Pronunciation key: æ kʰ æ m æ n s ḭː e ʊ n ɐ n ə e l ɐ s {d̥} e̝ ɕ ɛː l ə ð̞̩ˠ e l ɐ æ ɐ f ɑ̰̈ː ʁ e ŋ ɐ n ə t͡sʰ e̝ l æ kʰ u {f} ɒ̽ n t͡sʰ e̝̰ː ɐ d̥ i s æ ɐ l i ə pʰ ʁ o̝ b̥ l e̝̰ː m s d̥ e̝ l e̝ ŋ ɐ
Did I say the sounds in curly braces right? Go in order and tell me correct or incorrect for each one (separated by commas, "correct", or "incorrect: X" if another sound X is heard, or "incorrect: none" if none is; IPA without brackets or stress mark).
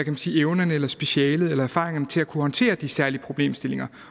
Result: incorrect: b̥, incorrect: h